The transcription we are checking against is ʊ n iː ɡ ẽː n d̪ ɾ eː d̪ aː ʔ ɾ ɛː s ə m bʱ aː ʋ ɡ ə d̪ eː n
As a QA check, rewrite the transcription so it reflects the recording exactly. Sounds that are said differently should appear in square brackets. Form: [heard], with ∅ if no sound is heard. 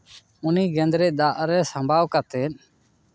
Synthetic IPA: ʊ n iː ɡ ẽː n d̪ ɾ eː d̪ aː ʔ ɾ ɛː s ə m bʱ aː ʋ [k] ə [t̪] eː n